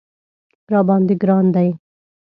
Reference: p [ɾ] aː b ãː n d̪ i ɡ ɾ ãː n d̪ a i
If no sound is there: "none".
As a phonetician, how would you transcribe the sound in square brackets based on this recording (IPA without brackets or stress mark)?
ɾ